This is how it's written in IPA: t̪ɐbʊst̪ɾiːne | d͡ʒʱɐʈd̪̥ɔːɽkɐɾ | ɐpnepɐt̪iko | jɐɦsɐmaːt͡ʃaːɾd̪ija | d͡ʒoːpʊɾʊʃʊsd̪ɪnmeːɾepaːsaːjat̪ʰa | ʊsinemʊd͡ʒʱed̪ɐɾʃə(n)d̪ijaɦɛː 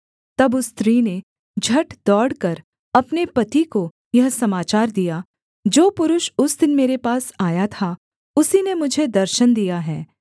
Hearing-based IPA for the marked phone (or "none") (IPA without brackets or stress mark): n